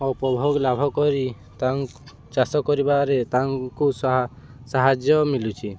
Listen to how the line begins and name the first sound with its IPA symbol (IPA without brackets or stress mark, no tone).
ɔ